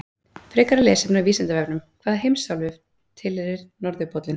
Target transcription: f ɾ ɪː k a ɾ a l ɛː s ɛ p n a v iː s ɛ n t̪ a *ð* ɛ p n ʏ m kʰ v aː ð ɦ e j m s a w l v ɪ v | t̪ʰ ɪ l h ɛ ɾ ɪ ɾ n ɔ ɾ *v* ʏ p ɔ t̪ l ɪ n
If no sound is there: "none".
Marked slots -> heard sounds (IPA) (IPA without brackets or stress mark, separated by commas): v, ð